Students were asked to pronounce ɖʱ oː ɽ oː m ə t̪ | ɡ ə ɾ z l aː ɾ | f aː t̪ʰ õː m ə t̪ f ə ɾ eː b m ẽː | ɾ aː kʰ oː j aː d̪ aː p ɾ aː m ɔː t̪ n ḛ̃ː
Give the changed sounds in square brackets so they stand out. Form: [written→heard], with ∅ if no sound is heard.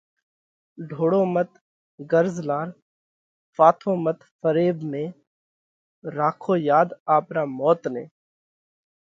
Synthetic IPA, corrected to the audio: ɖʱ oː ɽ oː m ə t̪ | ɡ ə ɾ z l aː ɾ | f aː t̪ʰ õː m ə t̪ f ə ɾ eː b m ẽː | ɾ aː kʰ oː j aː d̪ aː p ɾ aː m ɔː t̪ n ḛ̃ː

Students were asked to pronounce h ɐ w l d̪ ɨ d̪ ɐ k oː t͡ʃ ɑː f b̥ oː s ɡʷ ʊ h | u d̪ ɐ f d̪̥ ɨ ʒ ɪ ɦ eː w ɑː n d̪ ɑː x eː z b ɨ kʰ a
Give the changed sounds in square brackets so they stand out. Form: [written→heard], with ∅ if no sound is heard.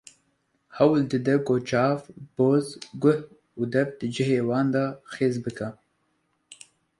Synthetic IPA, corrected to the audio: h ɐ w l d̪ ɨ d̪ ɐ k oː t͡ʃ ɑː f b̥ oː [s→z] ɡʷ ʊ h | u d̪ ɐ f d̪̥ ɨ [ʒ→d͡ʒ] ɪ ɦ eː w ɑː n d̪ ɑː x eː z b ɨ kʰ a

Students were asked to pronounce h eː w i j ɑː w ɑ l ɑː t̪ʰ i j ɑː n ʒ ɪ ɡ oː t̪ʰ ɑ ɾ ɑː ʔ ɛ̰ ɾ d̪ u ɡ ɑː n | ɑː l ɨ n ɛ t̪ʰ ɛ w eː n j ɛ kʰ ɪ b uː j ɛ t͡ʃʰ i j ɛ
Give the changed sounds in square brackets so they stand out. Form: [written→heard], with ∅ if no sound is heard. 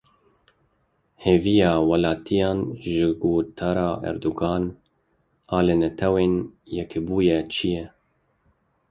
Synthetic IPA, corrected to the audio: h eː [w→v] i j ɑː w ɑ l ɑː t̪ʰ i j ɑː n ʒ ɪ ɡ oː t̪ʰ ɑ ɾ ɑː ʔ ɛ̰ ɾ d̪ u ɡ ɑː n | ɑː l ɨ n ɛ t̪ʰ ɛ w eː n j ɛ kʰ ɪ b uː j ɛ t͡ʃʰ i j ɛ

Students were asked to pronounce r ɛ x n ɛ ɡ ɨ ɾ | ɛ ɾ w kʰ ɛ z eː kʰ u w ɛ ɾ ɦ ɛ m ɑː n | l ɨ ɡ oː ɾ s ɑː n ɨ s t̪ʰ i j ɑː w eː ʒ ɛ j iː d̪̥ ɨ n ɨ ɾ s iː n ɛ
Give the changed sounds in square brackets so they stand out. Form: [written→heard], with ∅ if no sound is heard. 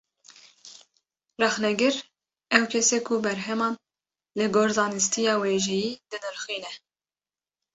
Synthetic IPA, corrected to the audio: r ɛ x n ɛ ɡ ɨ ɾ | ɛ [ɾ→∅] w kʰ ɛ [z→s] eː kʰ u [w→b] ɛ ɾ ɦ ɛ m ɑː n | l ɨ ɡ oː ɾ [s→z] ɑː n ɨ s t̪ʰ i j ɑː w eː ʒ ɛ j iː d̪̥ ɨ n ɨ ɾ [s→x] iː n ɛ

